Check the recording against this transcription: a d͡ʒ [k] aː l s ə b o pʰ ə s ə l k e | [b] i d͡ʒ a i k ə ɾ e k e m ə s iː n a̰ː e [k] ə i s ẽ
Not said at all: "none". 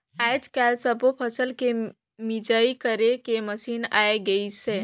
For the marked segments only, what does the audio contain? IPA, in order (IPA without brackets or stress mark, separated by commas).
k, m, ɡ